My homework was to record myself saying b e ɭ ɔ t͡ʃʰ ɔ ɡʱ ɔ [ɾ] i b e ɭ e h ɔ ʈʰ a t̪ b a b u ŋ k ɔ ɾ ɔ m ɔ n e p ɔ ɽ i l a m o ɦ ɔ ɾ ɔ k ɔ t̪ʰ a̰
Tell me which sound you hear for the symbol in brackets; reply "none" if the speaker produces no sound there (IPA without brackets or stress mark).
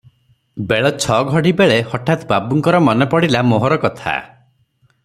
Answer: ɽ